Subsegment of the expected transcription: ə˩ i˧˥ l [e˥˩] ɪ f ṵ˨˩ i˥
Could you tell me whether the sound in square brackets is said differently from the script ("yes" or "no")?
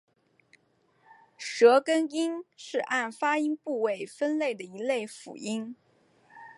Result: no